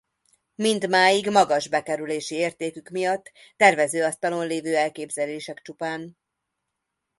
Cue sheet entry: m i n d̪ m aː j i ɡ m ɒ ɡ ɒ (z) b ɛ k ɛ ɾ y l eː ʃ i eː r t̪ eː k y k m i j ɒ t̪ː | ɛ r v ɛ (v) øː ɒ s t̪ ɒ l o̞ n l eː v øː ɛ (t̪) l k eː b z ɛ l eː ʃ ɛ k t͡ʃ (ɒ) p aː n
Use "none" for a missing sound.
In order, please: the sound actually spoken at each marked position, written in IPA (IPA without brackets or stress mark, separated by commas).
ʒ, z, none, u